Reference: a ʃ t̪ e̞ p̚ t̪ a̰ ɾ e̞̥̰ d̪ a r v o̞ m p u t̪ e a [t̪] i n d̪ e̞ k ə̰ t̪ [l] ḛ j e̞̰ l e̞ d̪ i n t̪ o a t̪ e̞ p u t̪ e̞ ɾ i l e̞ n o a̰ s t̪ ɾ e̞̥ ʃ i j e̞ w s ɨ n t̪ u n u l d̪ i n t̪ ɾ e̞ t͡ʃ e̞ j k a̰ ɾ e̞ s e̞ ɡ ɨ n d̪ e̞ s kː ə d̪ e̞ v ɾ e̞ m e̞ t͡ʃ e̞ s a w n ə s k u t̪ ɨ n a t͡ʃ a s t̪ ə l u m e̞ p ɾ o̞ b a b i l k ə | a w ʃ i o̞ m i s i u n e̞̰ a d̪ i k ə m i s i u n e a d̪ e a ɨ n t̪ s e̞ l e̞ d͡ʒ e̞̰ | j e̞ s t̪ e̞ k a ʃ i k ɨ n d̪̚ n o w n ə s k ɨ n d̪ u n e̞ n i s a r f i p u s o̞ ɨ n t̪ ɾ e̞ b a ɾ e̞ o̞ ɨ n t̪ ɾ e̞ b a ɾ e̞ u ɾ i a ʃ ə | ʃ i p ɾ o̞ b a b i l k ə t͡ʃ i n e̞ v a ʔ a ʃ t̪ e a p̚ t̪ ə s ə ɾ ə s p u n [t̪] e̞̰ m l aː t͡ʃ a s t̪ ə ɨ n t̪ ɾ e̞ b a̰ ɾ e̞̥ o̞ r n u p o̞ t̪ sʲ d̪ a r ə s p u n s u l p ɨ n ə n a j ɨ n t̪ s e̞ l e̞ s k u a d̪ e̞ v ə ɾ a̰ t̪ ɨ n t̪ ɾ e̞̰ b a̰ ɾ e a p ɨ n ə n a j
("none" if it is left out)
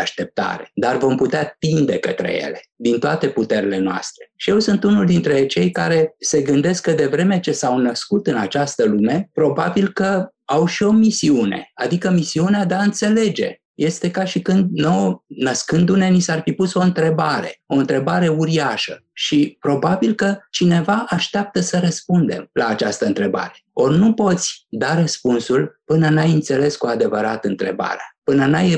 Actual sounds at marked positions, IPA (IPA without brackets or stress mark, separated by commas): t̪, ɾ, d̪